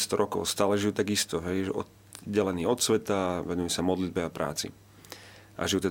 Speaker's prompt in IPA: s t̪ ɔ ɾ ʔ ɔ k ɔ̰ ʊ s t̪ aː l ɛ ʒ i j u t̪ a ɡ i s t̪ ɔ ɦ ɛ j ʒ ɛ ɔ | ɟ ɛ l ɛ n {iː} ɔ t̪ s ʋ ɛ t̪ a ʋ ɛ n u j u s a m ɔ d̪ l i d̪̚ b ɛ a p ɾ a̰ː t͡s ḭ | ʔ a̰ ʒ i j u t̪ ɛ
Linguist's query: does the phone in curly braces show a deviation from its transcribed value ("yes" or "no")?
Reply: no